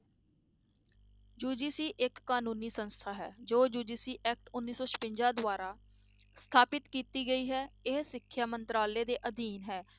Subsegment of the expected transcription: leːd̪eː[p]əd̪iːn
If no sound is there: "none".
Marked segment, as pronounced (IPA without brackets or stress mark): ʔ